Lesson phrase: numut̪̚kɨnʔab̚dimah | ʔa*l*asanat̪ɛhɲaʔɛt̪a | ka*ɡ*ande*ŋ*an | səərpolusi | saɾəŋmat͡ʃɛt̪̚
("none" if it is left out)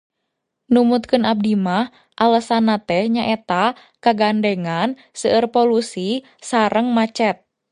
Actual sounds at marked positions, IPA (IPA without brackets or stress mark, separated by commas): l, ɡ, ŋ